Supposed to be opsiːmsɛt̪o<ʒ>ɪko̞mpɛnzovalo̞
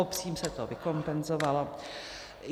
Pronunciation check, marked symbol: incorrect: v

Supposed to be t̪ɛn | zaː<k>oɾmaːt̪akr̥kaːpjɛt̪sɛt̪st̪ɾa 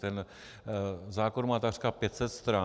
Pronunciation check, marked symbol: correct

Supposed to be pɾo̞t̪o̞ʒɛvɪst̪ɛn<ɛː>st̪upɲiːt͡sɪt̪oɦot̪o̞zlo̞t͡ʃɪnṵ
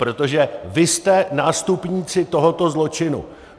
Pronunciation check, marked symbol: incorrect: aː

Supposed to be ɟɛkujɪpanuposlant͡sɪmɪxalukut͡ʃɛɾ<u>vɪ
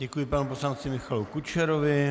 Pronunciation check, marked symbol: incorrect: o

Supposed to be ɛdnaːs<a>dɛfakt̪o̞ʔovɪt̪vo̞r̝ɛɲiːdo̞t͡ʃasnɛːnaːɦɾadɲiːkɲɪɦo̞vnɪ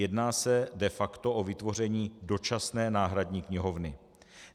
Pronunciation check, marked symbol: incorrect: ɛ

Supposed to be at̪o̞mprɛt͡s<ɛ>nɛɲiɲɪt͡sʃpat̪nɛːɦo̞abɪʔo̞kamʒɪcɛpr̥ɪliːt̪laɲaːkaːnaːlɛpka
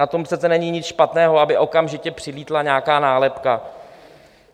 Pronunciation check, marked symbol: correct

